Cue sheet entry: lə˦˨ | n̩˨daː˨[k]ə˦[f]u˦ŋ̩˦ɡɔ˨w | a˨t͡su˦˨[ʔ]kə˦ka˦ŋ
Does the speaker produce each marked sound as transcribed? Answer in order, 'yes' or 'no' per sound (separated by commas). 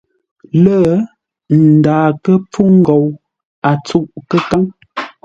yes, no, yes